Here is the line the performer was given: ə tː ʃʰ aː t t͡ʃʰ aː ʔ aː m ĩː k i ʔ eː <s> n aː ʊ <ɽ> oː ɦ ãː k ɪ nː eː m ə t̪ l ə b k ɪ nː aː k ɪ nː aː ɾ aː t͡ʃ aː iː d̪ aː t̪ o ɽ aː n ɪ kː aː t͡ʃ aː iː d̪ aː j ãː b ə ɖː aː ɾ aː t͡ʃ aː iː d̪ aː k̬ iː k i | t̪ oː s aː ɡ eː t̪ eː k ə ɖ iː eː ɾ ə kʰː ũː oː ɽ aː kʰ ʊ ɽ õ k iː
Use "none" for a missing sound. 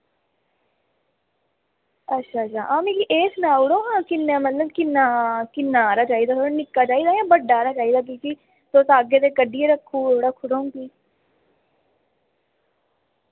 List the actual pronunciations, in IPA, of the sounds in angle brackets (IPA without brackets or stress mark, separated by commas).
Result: s, ɽ